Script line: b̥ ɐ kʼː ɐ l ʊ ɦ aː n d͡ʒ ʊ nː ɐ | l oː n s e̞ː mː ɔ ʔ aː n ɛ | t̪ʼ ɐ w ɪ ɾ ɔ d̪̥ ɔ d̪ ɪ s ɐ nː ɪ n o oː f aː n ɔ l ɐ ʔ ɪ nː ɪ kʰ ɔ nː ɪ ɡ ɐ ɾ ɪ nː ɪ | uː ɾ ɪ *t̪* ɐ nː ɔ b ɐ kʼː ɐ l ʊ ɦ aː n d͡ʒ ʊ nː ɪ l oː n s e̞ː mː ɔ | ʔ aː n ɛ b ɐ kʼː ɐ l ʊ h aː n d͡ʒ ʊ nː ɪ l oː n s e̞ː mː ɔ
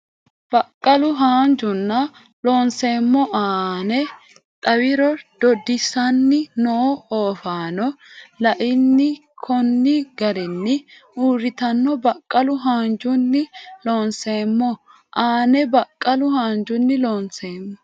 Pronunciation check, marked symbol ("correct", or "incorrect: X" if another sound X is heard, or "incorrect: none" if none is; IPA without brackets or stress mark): correct